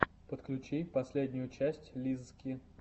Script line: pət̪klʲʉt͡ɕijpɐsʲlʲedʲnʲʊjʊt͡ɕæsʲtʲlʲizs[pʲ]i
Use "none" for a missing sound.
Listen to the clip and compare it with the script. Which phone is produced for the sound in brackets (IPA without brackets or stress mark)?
kʲ